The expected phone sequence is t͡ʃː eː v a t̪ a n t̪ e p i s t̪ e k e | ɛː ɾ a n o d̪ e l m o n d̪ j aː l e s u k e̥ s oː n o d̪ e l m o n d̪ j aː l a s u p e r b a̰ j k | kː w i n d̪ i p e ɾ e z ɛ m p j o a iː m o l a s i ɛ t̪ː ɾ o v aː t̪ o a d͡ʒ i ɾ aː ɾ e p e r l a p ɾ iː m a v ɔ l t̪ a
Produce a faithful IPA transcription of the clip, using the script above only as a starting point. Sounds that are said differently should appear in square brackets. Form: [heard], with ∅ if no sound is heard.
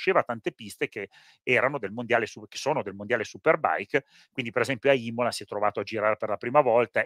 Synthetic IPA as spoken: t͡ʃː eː v a t̪ a n t̪ e p i s t̪ e k e | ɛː ɾ a n o d̪ e l m o n d̪ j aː l e s u k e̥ s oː n o d̪ e l m o n d̪ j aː l [e] s u p e r b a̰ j k | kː w i n d̪ i p e ɾ e z ɛ m p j o a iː m o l a s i ɛ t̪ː ɾ o v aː t̪ o a d͡ʒ i ɾ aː ɾ e p e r l a p ɾ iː m a v ɔ l t̪ a

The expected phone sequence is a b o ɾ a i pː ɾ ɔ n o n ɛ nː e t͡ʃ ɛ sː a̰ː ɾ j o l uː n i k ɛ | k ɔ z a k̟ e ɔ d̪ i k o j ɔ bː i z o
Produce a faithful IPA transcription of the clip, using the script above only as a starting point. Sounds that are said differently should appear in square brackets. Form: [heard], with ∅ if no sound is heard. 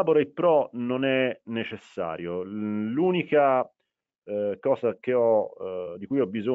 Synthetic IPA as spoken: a b o ɾ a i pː ɾ ɔ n o n ɛ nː e t͡ʃ [e] sː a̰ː ɾ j o l uː n i k [a] | k [ɔː] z a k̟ e ɔ d̪ i k [u] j ɔ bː i z o

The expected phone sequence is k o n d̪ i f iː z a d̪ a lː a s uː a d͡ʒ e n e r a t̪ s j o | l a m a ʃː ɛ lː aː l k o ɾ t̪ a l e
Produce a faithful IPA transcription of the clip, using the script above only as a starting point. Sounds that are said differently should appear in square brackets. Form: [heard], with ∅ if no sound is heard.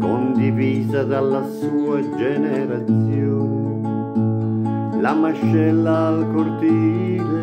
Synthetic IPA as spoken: k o n d̪ i [v] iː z a d̪ a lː a s uː a d͡ʒ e n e [ɾ] a t̪ s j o | l a m a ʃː ɛ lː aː l k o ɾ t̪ [i] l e

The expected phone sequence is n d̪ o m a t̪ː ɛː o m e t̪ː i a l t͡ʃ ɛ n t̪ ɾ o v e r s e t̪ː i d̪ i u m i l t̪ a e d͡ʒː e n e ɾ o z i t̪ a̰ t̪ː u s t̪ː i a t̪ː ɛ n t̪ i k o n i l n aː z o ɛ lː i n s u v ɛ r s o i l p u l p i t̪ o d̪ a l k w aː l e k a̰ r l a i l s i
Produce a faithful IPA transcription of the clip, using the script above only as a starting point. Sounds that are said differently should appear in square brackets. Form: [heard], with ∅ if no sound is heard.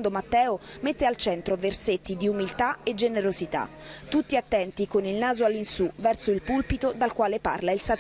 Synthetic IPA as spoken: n d̪ o m a t̪ː ɛː o m e t̪ː [e] a l t͡ʃ ɛ n t̪ ɾ o v e r s e t̪ː i d̪ i u m i l t̪ a e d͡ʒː e n e ɾ o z i t̪ a̰ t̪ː u [∅] t̪ː i a t̪ː ɛ n t̪ i k o n i l n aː z o [a] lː i n s u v ɛ r s o i l p u l p i t̪ o d̪ a l k w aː l e [p] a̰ r l a i l s [a]

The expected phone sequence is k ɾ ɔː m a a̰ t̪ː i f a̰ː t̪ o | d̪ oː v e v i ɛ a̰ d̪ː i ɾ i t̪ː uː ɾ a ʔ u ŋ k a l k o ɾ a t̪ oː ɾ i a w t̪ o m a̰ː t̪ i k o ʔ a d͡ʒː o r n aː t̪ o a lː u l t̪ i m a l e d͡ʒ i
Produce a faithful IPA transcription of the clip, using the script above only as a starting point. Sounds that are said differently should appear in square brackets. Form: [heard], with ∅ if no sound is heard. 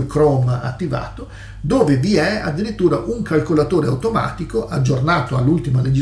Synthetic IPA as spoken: k ɾ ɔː m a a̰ t̪ː i [v] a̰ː t̪ o | d̪ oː v e v i ɛ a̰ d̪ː i ɾ i t̪ː uː ɾ a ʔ u ŋ k a l k o [l] a t̪ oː ɾ [e] a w t̪ o m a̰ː t̪ i k o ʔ a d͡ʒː o r n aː t̪ o a lː u l t̪ i m a l e d͡ʒ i

